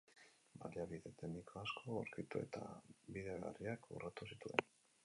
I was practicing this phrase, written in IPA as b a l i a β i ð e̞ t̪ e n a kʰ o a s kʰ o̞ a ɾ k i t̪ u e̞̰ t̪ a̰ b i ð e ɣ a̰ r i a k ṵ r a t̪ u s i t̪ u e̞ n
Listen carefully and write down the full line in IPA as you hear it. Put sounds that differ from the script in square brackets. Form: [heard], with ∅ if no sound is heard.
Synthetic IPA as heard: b a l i a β i ð e̞ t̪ e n [i] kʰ o a s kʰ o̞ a ɾ k i t̪ u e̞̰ t̪ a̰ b i ð e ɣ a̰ r i a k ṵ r a t̪ u s i t̪ u e̞ n